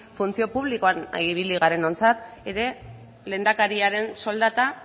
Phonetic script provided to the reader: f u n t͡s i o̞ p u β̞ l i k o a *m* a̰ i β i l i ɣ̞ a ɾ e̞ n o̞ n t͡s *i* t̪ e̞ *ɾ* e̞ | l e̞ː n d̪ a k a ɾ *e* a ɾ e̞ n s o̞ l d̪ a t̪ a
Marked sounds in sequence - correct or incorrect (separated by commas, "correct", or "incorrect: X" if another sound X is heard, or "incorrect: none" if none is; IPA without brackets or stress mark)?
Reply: incorrect: n, incorrect: a, correct, incorrect: i